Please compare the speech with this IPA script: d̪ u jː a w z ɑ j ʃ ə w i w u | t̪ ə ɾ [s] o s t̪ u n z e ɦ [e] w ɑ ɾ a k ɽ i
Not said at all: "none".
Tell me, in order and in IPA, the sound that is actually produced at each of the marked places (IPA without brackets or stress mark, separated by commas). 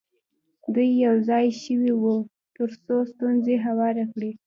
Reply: s, a